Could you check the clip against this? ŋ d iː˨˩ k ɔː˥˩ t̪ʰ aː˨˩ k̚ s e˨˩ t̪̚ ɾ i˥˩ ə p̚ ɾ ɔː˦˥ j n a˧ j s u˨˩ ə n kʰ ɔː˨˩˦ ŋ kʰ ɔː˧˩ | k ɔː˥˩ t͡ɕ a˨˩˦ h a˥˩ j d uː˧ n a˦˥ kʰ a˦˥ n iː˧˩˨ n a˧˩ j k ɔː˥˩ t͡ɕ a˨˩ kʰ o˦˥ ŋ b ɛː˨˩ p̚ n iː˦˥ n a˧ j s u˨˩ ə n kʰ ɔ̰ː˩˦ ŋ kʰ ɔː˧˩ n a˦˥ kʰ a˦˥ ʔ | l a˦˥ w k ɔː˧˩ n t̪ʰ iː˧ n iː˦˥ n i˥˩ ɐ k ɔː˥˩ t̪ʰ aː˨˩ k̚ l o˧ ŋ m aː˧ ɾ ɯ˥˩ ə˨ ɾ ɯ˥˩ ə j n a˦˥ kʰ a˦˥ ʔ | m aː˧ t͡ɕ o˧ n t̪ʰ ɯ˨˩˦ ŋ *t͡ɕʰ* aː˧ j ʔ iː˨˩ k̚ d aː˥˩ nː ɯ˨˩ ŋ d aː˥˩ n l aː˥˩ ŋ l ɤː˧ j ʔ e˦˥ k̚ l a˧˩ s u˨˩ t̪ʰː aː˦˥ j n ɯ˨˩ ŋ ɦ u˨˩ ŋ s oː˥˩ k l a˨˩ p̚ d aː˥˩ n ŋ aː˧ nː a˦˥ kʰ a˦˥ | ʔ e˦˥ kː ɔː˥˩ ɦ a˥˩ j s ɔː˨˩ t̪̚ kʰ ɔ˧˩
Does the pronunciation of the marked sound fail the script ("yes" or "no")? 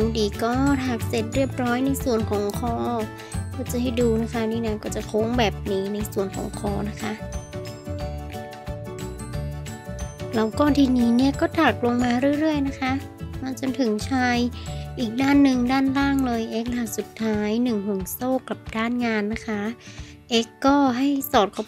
no